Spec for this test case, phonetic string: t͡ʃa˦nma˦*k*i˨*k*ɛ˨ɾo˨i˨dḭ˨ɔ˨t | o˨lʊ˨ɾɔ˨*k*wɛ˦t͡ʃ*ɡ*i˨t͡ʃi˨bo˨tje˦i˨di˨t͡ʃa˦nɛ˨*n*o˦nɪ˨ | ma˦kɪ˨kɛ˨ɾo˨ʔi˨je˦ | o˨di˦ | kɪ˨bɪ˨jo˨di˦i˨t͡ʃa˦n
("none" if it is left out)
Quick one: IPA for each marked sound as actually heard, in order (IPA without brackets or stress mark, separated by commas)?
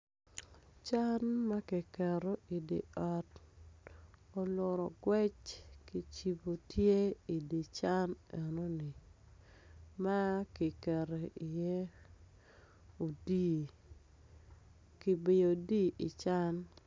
k, k, ɡ, k, n